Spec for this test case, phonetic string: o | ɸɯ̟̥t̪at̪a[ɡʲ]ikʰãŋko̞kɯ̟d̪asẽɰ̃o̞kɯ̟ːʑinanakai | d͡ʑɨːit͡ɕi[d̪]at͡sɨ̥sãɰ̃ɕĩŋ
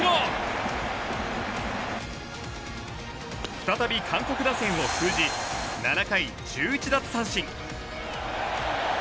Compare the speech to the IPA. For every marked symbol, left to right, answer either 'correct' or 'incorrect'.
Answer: incorrect: bʲ, correct

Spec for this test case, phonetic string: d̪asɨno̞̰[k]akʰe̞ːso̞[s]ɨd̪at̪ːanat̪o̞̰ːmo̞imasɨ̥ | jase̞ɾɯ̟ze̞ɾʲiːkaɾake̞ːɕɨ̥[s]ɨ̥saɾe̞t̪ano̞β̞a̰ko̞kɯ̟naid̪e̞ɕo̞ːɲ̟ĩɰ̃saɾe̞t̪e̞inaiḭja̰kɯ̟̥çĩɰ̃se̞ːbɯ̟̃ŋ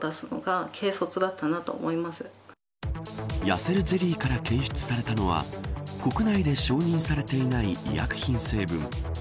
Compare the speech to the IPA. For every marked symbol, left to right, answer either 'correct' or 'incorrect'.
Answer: incorrect: ɡ, incorrect: t͡s, incorrect: t͡s

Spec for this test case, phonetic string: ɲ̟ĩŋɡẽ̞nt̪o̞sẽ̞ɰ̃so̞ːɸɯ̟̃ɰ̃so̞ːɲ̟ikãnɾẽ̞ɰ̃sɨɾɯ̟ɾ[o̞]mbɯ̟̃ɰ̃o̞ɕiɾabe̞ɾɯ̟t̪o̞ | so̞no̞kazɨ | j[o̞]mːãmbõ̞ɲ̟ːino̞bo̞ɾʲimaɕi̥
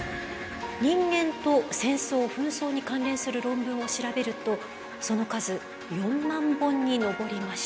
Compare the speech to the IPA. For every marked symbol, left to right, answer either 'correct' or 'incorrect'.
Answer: incorrect: õ̞, incorrect: õ̞

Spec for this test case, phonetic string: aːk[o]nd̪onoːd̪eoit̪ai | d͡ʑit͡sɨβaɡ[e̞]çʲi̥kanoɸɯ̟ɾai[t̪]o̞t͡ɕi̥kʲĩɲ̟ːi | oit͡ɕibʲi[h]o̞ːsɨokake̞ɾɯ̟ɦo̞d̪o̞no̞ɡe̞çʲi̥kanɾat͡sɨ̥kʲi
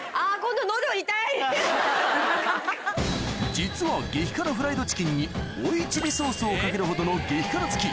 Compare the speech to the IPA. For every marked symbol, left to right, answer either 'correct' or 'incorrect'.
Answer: incorrect: õ, correct, incorrect: d̪, incorrect: s

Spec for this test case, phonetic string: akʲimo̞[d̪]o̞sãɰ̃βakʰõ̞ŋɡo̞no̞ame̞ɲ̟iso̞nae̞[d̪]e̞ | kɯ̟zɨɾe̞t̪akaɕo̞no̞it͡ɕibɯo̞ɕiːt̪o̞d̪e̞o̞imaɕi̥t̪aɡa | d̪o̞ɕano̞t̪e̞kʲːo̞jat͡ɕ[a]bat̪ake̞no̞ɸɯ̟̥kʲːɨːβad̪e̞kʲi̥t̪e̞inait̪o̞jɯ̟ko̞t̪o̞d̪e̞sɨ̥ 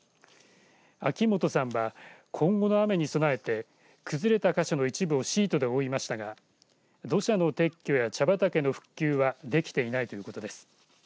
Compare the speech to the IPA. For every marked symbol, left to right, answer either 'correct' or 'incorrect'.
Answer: incorrect: t̪, incorrect: t̪, correct

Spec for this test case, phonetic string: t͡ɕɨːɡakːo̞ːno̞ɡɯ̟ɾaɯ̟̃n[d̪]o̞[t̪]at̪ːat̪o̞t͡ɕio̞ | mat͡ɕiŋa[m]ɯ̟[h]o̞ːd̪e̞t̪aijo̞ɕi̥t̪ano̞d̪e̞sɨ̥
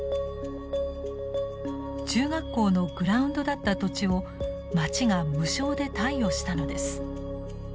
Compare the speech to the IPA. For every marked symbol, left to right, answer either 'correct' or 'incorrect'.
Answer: correct, incorrect: d̪, correct, incorrect: ɕ

